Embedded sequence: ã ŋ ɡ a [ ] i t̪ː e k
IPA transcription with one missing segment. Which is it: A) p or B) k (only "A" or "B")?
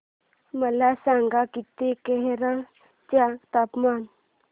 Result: B